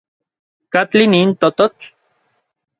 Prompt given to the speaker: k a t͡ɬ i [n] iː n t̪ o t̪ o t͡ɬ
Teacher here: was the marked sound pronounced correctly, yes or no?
yes